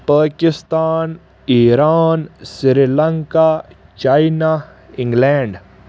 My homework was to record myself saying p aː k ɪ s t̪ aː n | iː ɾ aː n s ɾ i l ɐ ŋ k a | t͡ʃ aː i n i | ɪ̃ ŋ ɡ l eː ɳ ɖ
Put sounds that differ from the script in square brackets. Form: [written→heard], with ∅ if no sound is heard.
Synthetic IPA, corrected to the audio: p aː k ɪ s t̪ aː n | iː ɾ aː n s ɾ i l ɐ ŋ k a | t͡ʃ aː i n [i→a] | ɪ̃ ŋ ɡ l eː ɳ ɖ